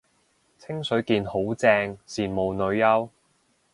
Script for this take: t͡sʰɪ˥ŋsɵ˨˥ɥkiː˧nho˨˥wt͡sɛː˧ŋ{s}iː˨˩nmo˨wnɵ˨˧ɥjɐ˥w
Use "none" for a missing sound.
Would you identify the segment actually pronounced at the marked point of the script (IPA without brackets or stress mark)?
s